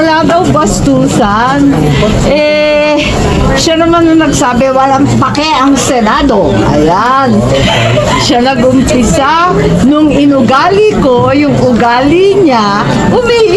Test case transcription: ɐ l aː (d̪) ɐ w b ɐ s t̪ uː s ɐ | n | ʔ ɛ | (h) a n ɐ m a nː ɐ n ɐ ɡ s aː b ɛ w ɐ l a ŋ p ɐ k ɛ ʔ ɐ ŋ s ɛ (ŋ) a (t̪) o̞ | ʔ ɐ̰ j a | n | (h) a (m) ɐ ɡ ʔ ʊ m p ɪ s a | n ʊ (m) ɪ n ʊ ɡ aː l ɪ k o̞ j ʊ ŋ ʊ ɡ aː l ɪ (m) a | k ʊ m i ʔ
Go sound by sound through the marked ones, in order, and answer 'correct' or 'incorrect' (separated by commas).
correct, incorrect, incorrect, incorrect, incorrect, incorrect, incorrect, incorrect